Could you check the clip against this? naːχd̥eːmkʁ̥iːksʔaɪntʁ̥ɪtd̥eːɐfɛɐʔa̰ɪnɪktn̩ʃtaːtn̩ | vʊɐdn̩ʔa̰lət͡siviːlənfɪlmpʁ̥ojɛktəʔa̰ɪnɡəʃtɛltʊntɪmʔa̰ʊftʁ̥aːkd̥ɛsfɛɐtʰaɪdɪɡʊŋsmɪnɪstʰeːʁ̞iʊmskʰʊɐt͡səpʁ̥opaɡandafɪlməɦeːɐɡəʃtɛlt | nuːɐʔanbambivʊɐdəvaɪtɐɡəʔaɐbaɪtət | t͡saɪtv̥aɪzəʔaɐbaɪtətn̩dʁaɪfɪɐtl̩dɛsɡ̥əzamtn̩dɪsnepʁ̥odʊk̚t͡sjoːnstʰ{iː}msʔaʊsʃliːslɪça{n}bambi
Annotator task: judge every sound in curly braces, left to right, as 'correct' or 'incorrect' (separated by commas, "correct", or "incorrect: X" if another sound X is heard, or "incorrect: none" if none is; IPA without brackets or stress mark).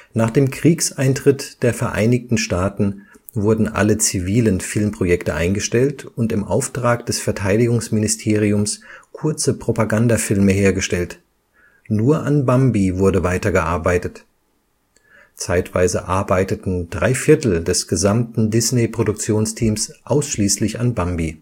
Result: correct, correct